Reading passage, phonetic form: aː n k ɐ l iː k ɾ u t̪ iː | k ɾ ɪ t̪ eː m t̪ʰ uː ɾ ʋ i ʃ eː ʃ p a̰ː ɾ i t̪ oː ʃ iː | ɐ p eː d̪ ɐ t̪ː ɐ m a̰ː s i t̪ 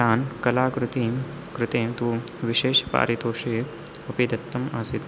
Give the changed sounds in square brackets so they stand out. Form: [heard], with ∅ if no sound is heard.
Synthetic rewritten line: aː n k ɐ l [aː] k ɾ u t̪ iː | k ɾ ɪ t̪ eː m [t̪] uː [∅] ʋ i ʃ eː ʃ p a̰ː ɾ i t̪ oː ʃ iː | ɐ p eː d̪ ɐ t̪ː ɐ m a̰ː s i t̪